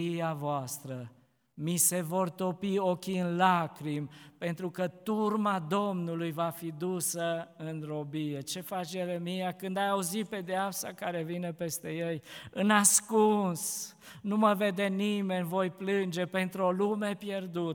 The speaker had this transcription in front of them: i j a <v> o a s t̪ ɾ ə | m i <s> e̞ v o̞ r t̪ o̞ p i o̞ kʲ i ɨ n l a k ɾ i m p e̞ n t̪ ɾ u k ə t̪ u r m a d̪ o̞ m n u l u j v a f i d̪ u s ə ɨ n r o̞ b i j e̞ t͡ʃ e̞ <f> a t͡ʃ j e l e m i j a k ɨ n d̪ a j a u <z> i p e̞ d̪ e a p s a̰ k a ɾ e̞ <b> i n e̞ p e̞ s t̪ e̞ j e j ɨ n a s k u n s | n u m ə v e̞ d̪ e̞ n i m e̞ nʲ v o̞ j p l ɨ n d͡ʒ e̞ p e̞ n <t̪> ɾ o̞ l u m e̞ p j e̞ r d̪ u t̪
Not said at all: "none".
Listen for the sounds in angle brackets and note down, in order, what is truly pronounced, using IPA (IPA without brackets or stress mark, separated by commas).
v, s, f, z, v, t̪